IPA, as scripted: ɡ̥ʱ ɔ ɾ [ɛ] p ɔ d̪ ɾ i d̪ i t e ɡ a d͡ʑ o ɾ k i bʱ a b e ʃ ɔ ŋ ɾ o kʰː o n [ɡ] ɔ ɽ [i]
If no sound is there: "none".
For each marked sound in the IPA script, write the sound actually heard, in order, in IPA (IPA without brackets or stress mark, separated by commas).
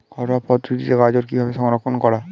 a, k, a